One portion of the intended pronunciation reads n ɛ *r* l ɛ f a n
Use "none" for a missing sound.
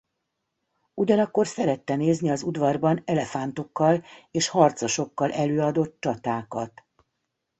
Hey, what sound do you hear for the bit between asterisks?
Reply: none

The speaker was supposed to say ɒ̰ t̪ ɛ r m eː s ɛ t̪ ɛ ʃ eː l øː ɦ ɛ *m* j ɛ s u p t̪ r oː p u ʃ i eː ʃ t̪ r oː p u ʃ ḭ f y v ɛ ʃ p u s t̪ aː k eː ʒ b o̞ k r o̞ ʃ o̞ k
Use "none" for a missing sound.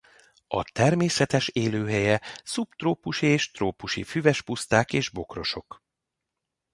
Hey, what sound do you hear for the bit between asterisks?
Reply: none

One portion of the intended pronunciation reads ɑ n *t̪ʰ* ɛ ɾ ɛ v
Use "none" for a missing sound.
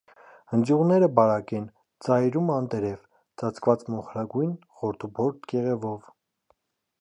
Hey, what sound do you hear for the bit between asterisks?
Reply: t̪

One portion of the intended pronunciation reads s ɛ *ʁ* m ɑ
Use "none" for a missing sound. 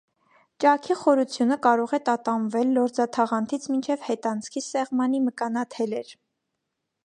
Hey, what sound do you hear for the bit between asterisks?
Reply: ʁ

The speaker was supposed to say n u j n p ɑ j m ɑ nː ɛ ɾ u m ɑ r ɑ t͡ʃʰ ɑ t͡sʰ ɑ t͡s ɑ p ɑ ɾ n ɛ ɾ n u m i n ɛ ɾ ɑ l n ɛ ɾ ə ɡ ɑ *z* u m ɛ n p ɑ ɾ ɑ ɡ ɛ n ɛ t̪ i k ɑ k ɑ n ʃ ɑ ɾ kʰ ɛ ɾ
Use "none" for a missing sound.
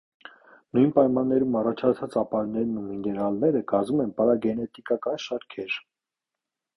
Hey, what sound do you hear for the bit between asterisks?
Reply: z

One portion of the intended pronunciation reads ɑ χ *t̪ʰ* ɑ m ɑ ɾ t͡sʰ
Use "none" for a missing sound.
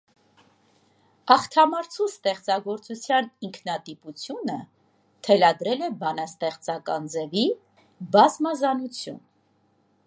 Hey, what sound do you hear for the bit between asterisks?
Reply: t̪ʰ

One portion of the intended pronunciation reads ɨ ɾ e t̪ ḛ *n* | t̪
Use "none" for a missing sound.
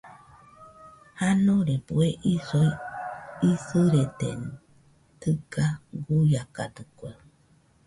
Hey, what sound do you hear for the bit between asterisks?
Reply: n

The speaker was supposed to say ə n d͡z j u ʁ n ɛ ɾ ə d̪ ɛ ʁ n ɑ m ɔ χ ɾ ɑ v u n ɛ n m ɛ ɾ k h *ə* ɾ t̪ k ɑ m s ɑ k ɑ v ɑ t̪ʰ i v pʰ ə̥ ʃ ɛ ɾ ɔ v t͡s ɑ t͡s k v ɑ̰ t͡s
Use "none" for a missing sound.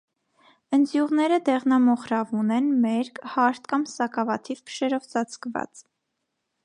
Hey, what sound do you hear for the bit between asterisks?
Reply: ɑ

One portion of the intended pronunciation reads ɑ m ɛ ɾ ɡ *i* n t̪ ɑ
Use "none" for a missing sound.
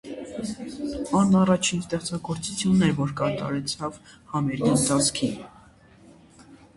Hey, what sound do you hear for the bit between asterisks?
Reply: i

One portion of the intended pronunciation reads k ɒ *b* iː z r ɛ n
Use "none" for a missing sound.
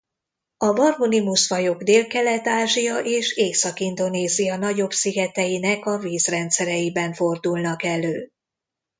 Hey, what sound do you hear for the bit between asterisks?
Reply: v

